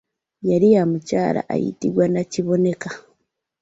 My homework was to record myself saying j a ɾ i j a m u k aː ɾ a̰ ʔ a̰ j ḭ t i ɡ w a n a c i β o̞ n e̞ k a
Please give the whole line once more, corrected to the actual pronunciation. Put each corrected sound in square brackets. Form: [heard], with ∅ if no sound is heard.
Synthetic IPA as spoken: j a ɾ i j a m u [c] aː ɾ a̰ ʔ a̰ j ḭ t i ɡ w a n a c i β o̞ n e̞ k a